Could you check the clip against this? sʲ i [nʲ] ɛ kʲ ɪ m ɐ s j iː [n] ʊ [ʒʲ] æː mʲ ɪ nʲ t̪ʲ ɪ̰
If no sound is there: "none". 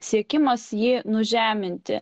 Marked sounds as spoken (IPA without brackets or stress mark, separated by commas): none, n, ʒʲ